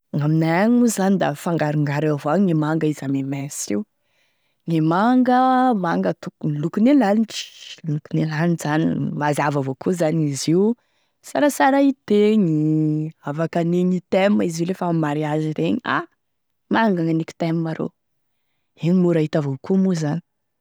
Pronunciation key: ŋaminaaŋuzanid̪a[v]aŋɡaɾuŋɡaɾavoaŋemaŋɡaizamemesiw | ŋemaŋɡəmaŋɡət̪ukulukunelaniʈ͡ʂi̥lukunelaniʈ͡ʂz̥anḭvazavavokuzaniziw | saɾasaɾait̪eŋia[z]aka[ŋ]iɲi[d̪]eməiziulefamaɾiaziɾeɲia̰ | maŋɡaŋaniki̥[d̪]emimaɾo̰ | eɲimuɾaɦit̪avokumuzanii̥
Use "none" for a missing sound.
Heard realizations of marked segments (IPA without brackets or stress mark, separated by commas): f, v, n, t̪, t̪